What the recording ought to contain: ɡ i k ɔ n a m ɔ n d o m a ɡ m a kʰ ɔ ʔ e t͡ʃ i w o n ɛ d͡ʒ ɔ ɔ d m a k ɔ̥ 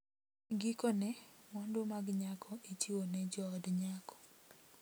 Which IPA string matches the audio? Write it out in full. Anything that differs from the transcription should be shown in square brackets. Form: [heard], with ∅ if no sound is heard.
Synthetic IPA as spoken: ɡ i k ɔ n [ɛ] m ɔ n d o m a ɡ [ɲ] a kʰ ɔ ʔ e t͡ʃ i w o n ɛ d͡ʒ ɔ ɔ d [ɲ] a k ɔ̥